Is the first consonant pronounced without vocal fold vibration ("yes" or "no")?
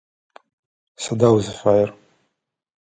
yes